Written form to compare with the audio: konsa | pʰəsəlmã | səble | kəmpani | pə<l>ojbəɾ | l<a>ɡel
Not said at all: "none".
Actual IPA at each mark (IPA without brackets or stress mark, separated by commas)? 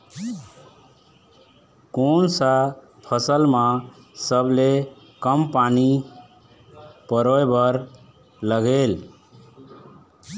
ɾ, ə